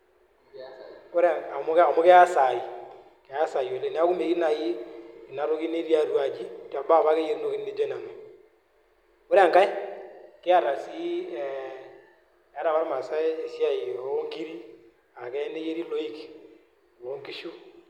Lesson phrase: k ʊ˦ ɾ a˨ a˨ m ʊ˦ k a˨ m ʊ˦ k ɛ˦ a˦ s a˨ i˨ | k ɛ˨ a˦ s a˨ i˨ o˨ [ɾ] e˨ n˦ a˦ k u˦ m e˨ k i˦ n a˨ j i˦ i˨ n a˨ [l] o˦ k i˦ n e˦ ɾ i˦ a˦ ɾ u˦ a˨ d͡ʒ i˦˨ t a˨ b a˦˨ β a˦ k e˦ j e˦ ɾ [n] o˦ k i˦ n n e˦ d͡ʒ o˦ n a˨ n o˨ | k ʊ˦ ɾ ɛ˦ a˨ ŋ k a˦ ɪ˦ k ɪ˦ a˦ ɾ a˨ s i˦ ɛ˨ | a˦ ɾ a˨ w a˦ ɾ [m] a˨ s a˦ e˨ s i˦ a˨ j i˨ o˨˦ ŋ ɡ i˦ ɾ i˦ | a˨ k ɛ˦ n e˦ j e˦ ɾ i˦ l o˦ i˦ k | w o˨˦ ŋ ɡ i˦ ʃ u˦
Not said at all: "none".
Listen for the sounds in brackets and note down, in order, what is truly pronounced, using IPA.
l, ɾ, n, m

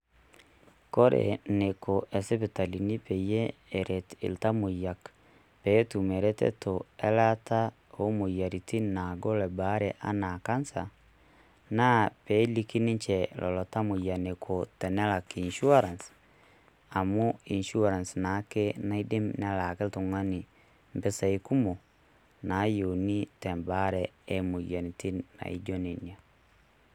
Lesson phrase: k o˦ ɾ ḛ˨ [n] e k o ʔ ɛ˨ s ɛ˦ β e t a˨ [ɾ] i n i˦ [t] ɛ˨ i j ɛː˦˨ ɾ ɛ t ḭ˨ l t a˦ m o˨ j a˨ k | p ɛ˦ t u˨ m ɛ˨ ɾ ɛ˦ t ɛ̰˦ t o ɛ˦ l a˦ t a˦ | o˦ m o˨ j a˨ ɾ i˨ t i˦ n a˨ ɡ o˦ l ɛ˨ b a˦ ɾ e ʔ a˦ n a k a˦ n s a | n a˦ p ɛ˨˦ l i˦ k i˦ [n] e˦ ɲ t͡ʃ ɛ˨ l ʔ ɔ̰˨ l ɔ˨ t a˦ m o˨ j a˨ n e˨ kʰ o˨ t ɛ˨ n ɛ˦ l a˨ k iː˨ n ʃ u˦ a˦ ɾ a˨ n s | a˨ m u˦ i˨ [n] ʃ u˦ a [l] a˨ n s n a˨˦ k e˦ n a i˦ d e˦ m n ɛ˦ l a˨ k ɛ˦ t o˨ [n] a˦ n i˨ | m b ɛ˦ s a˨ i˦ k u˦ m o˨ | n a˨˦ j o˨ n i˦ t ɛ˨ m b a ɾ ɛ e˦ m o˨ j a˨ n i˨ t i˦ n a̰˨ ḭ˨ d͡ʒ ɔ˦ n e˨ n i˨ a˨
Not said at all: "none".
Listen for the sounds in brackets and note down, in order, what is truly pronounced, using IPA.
n, l, p, n, n, ɾ, ŋ

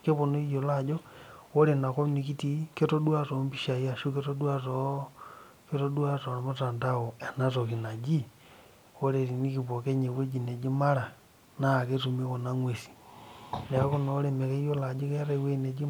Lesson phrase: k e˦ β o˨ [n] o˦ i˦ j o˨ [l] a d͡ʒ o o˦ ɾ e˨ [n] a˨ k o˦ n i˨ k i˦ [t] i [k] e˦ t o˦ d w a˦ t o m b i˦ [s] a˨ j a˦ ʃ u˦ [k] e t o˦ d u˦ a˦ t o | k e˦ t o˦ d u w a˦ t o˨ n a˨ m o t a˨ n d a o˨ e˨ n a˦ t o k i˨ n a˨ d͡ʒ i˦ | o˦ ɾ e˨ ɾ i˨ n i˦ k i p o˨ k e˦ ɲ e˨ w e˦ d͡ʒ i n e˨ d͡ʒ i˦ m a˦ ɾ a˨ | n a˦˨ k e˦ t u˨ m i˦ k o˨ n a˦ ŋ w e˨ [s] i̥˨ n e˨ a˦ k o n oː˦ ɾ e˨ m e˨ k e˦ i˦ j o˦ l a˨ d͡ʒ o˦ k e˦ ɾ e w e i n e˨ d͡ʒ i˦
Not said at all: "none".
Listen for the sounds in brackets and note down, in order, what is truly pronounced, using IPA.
n, l, n, t, k, ʃ, k, s

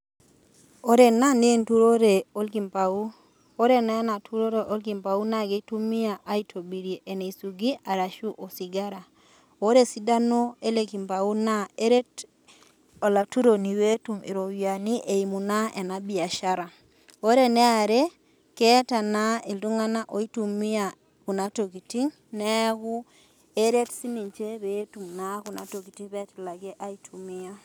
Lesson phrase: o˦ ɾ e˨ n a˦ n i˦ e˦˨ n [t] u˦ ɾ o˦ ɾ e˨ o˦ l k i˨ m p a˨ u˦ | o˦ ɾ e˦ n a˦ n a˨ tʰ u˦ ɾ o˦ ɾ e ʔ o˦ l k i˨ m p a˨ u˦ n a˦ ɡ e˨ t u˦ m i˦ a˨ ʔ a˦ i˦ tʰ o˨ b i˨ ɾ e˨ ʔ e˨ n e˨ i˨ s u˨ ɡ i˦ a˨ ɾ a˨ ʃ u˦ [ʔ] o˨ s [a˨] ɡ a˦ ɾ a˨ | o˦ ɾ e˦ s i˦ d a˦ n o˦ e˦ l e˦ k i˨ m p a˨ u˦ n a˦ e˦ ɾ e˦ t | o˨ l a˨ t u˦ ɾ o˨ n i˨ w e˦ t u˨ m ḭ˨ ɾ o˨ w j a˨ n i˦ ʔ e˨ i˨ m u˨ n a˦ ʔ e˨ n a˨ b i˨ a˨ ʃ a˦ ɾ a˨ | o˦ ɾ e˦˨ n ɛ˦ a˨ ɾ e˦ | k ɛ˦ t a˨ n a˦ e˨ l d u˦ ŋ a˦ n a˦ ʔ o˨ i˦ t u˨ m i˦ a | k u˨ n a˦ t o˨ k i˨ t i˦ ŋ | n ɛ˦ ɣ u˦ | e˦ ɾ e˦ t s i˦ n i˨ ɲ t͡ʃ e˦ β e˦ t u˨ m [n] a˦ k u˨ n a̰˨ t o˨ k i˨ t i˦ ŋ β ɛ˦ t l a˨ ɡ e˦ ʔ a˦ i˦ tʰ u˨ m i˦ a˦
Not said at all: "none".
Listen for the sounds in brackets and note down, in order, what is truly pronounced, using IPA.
t, ʔ, i˨, n

